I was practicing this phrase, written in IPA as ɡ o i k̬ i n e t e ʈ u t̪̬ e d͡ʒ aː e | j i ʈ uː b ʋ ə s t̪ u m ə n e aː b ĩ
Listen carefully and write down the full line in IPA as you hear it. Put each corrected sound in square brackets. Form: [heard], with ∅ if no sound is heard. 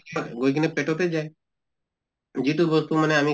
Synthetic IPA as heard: ɡ o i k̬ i n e [p] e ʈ [o] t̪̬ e d͡ʒ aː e | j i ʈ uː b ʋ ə s t̪ u m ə n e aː [m] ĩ